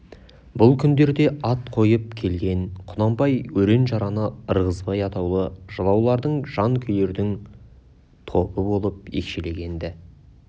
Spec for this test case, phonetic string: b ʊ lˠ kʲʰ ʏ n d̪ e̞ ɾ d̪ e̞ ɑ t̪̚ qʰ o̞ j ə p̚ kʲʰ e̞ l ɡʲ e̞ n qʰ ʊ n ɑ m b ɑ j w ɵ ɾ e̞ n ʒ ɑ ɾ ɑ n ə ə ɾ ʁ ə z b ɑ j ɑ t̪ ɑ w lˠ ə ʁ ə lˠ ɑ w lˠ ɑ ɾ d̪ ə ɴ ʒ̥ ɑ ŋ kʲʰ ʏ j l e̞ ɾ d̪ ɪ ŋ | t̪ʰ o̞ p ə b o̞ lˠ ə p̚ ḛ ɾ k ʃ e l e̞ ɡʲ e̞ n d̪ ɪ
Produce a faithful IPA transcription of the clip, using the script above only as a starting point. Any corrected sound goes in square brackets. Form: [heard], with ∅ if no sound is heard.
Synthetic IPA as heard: b ʊ lˠ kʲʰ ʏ n d̪ e̞ ɾ d̪ e̞ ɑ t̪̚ qʰ o̞ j ə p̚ kʲʰ e̞ l ɡʲ e̞ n qʰ ʊ n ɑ m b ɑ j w ɵ ɾ e̞ n ʒ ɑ ɾ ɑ n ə ə ɾ ʁ ə z b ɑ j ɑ t̪ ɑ w lˠ ə [ʒ] ə lˠ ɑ w lˠ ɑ ɾ d̪ ə ɴ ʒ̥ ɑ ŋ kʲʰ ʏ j l e̞ ɾ d̪ ɪ ŋ | t̪ʰ o̞ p ə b o̞ lˠ ə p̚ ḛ [∅] k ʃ e l e̞ ɡʲ e̞ n d̪ ɪ